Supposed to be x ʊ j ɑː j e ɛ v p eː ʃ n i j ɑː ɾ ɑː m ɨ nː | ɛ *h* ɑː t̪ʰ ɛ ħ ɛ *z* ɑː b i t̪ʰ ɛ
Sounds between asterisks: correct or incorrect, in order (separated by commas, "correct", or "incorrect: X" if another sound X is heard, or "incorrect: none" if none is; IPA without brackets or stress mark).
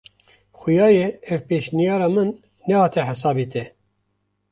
correct, incorrect: s